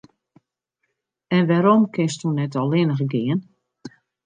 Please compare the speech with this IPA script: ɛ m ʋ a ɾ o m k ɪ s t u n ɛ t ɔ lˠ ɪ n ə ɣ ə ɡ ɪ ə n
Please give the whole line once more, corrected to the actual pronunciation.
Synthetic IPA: ɛ n ʋ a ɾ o m k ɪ s t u n ɛ t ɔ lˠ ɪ n ə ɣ ə ɡ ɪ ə n